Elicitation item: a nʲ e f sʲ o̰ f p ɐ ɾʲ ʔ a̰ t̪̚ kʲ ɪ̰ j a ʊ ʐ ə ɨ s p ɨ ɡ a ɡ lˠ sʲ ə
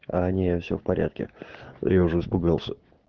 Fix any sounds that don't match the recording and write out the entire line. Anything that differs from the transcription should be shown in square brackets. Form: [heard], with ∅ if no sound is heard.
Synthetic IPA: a nʲ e f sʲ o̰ f p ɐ ɾʲ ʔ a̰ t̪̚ kʲ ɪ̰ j a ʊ ʐ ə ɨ s p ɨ ɡ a [∅] lˠ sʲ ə

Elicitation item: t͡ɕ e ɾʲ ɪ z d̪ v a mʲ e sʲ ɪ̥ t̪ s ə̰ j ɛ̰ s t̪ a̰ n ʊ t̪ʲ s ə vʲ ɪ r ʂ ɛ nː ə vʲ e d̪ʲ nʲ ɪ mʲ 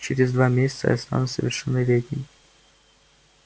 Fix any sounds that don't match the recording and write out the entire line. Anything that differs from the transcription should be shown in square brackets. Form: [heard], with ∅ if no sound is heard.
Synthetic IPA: t͡ɕ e ɾʲ ɪ z d̪ v a mʲ e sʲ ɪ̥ t̪ s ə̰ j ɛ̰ s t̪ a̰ n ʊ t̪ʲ s ə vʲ ɪ r ʂ ɛ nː ə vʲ e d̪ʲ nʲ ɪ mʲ

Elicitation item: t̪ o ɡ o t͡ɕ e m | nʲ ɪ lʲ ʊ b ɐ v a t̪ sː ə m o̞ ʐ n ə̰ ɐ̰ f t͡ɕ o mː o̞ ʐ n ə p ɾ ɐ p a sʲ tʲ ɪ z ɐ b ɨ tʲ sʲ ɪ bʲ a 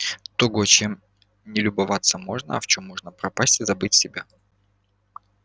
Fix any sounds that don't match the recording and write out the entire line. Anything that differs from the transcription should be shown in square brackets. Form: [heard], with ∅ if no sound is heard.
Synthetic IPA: t̪ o ɡ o t͡ɕ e m | nʲ ɪ lʲ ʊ b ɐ v a t̪ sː ə m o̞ ʐ n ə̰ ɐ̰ f t͡ɕ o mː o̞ ʐ n ə p ɾ ɐ p a sʲ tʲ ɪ z ɐ b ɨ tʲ sʲ ɪ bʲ a

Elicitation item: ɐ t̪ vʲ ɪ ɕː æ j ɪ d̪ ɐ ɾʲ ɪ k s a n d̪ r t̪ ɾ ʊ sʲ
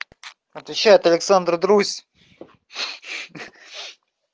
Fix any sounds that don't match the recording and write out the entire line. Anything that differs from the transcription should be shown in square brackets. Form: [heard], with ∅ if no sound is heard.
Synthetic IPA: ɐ t̪ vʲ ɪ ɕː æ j ɪ [t̪] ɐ [lʲ] ɪ k s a n d̪ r [d̪] ɾ [u] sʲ

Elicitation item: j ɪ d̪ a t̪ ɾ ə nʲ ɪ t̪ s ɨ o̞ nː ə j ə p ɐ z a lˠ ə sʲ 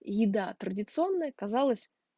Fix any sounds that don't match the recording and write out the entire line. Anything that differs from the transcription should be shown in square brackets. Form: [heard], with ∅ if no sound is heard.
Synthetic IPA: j ɪ d̪ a t̪ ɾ ə [dʲ] ɪ t̪ s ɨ o̞ nː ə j ə [k] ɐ z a lˠ ə sʲ

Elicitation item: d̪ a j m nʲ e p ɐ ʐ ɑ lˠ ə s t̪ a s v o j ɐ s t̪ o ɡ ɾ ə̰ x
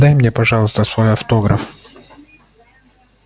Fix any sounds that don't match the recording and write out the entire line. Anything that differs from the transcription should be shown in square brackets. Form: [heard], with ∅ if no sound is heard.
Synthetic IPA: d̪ a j m nʲ e p ɐ ʐ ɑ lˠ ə s t̪ [ə] s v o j ɐ [f] t̪ o ɡ ɾ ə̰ [f]

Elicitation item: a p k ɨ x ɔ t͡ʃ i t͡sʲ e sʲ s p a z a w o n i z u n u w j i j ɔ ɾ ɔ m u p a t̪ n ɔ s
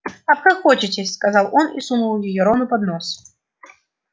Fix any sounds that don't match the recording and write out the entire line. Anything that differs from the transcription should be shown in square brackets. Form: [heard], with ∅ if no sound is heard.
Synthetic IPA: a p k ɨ x ɔ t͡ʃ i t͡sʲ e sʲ s [k] a z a w [ɔ] n i [s] u n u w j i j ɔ ɾ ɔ [n] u p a [d̪] n ɔ s

